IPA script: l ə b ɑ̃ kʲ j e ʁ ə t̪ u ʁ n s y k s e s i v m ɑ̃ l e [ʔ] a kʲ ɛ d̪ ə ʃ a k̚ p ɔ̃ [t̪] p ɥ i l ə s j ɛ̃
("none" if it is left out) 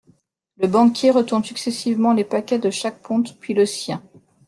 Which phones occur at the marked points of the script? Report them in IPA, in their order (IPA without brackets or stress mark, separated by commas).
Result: p, t̪